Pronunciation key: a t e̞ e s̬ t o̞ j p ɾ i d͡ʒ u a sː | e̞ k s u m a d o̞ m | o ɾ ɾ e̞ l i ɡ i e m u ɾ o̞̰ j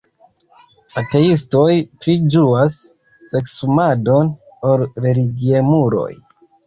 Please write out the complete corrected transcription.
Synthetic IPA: a t e̞ i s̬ t o̞ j p ɾ i d͡ʒ u a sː | e̞ k s u m a d o̞ n | o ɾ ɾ e̞ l i ɡ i e m u ɾ o̞̰ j